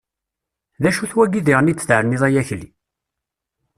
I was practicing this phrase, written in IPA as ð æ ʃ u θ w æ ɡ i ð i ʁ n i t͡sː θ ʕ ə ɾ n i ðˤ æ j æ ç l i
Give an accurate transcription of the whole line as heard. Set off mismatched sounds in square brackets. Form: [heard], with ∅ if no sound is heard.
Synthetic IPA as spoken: ð æ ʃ u θ w æ ɡ i ð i ʁ n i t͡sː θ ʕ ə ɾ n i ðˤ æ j æ ç l i

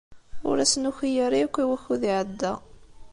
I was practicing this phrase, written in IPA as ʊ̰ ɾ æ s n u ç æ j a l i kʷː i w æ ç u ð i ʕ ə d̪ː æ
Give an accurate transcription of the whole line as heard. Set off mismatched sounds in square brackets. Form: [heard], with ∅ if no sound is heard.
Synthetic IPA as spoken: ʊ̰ ɾ æ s n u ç [i] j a [ɾ] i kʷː i w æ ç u ð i ʕ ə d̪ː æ

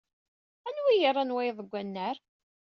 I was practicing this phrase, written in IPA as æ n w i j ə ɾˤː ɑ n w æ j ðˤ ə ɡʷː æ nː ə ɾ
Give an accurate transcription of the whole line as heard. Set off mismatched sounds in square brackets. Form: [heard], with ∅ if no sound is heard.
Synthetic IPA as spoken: æ n w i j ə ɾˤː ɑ n w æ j ðˤ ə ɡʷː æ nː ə ɾ

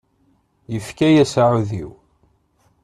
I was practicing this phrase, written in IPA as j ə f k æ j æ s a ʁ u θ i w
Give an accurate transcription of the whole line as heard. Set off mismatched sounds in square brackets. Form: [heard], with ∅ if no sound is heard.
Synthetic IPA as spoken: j ə f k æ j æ s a [ʕ] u [ð] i w

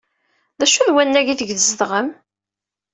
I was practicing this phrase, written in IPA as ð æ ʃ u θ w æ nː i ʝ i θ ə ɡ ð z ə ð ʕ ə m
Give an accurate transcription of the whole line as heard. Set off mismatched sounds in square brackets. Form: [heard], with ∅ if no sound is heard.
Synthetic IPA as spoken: ð æ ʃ u [ð] w æ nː [æ] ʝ i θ ə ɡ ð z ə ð [ʁ] ə m

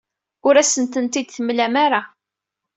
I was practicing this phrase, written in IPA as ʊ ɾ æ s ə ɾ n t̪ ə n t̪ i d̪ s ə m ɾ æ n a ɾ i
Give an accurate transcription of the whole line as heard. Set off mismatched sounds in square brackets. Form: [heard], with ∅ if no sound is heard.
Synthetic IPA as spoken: ʊ ɾ æ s ə [∅] n t̪ ə n t̪ i d̪ [θ] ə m [l] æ [m] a ɾ [a]

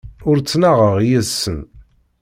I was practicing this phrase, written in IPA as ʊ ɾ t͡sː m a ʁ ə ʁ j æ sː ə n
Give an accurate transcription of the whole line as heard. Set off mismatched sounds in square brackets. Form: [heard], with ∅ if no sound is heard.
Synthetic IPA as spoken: ʊ ɾ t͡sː [n] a ʁ ə ʁ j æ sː ə n

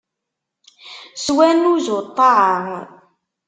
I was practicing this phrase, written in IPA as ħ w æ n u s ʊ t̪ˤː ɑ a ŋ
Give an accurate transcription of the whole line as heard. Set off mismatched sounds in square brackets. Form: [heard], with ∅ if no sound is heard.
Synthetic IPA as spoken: [s] w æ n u [z] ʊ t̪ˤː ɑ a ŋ

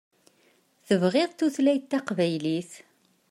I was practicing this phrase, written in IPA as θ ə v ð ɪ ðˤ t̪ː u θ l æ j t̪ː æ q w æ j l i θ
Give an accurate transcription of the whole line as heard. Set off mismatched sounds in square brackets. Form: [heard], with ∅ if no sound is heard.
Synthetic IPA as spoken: θ ə v [ʁ] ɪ ðˤ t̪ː u θ l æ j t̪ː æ q [v] æ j l i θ

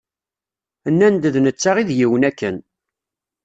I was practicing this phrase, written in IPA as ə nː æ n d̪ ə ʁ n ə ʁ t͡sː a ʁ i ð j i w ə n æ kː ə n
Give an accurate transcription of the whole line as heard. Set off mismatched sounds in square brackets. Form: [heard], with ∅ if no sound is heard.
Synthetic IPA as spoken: ə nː æ n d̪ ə [ð] n ə [∅] t͡sː a ʁ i ð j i w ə n æ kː ə n

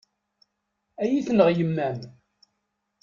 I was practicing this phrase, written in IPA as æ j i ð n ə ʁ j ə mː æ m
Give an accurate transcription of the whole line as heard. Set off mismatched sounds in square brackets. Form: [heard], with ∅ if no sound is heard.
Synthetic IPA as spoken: æ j i [θ] n ə ʁ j ə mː æ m

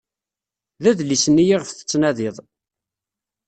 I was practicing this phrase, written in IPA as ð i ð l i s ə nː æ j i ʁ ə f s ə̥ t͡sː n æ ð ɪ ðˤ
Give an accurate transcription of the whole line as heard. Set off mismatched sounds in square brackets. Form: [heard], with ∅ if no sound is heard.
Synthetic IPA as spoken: ð [æ] ð l i s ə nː [i] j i ʁ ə f [θ] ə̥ t͡sː n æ ð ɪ ðˤ

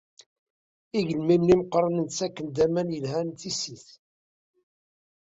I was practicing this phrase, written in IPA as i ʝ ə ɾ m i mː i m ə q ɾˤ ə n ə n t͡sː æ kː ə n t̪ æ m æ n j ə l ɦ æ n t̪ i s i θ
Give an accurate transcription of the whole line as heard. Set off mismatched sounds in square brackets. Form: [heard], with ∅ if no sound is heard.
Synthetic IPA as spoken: i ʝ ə [l] m i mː i m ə q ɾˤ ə n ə n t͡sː æ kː ə n [d̪] æ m æ n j ə l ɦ æ n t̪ i s i θ

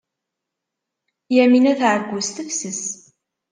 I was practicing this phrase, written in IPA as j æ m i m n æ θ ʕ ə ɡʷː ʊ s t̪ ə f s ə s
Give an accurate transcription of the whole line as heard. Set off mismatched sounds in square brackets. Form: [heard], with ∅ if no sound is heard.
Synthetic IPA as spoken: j æ m i [∅] n æ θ ʕ ə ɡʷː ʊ s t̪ ə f s ə s

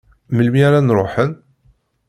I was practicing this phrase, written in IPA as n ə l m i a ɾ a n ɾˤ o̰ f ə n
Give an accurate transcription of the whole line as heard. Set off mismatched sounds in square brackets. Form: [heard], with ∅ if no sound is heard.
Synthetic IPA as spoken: [m] ə l m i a ɾ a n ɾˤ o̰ [ħ] ə n

